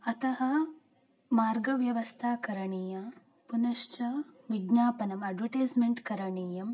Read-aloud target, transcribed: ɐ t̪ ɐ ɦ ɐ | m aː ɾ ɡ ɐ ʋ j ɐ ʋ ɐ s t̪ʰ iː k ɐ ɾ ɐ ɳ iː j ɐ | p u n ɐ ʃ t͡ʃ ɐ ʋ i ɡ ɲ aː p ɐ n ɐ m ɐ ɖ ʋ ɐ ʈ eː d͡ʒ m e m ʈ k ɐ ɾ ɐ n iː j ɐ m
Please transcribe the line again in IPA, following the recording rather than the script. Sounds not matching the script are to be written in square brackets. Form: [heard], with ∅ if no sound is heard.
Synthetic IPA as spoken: ɐ t̪ ɐ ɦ ɐ | m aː ɾ ɡ ɐ ʋ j ɐ ʋ ɐ s t̪ʰ [aː] k ɐ ɾ ɐ ɳ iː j ɐ | p u n ɐ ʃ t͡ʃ ɐ ʋ i ɡ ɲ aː p ɐ n ɐ m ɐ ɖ ʋ ɐ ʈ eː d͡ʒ m e [ɳ] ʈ k ɐ ɾ ɐ [ɳ] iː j ɐ m